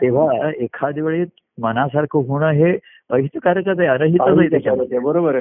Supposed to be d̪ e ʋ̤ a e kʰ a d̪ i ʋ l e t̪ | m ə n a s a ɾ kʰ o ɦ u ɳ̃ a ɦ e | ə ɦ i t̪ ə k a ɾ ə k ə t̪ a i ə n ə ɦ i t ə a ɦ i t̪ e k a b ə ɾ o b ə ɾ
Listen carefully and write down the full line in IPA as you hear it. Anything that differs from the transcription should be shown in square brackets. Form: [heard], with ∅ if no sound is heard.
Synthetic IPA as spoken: [t̪] e ʋ̤ a e kʰ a d̪ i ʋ [ɭ] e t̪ | m ə n a s a ɾ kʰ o ɦ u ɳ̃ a ɦ e | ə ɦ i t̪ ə k a ɾ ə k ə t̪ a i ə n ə ɦ i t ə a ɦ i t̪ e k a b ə ɾ o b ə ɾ